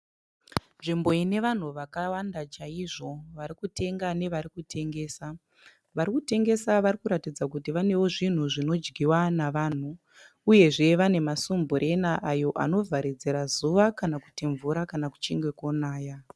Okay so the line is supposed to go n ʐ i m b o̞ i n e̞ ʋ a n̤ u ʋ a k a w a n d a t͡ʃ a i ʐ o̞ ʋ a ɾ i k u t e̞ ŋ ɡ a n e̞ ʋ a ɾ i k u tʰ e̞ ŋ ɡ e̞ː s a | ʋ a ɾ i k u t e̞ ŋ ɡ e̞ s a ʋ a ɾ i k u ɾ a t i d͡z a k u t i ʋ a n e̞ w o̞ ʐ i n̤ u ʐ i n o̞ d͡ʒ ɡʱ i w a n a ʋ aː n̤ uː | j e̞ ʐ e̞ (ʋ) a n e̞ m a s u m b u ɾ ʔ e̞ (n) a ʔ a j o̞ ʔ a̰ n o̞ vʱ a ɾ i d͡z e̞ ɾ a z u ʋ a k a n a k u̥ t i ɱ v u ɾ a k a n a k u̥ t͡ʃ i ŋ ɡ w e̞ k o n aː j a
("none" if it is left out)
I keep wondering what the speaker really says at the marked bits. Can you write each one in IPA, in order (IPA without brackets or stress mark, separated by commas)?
ʋ, n